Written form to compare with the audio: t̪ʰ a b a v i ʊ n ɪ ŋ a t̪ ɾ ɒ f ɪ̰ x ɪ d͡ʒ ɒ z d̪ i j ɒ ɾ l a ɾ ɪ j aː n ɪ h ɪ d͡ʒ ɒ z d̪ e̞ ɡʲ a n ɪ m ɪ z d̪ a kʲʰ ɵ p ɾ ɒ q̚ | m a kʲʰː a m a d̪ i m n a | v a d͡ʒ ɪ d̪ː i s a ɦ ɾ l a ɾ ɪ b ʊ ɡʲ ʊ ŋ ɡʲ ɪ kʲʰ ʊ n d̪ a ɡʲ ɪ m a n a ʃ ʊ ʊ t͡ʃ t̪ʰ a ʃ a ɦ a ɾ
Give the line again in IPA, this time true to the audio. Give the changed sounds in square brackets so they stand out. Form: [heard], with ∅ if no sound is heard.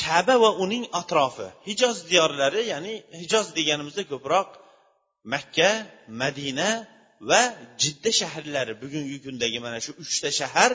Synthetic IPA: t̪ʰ a b a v [a] ʊ n ɪ ŋ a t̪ ɾ ɒ f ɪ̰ [h] ɪ d͡ʒ ɒ z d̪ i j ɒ ɾ l a ɾ ɪ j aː n ɪ h ɪ d͡ʒ ɒ z d̪ e̞ ɡʲ a n ɪ m ɪ z d̪ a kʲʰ ɵ p ɾ ɒ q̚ | m a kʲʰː a m a d̪ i [∅] n a | v a d͡ʒ ɪ d̪ː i [ʃ] a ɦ ɾ l a ɾ ɪ b ʊ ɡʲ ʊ ŋ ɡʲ ɪ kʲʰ ʊ n d̪ a ɡʲ ɪ m a n a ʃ ʊ ʊ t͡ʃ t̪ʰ a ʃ a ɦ a ɾ